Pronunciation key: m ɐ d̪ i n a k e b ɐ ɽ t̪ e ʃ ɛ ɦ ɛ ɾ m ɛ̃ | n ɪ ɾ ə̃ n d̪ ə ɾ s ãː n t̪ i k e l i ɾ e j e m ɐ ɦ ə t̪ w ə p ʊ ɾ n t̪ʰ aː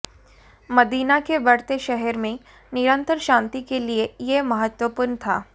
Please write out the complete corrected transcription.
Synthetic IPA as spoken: m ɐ d̪ iː n a k e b ɐ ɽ t̪ e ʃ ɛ ɦ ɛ ɾ m ẽ | n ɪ ɾ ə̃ n t̪ ə ɾ ʃ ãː n t̪ i k e l i e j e m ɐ ɦ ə t̪ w ə p ʊ ɾ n t̪ʰ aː